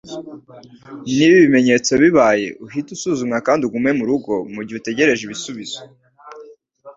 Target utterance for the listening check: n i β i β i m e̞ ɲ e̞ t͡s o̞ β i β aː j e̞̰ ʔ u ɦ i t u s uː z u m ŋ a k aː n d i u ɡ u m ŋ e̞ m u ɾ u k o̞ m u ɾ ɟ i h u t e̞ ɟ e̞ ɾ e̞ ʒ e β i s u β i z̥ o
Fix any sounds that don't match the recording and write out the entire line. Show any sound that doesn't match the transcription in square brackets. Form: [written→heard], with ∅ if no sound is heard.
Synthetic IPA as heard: n i β i β i m e̞ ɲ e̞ t͡s o̞ β i β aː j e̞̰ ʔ u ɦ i t u s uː z u m ŋ a k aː n d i u ɡ u m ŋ e̞ m u ɾ u [k→ɡ] o̞ m u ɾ ɟ i h u t e̞ ɟ e̞ ɾ e̞ ʒ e β i s u β i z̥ o